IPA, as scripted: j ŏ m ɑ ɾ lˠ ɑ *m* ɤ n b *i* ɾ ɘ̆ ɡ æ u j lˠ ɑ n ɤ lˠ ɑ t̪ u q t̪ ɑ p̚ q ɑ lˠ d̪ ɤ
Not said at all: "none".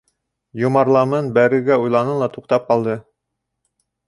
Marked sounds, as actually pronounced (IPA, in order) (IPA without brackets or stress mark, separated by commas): m, æ